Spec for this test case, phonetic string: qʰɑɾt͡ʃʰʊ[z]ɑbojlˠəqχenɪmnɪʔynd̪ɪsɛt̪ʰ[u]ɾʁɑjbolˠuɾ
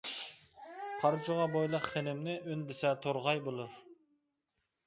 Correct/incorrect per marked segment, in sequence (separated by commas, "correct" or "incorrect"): incorrect, incorrect